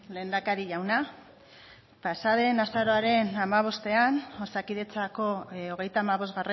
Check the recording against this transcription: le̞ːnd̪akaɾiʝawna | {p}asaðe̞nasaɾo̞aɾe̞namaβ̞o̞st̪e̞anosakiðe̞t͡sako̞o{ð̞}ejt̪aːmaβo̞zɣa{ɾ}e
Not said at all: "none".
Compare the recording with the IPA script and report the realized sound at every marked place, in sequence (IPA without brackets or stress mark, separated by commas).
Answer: p, ɣ̞, r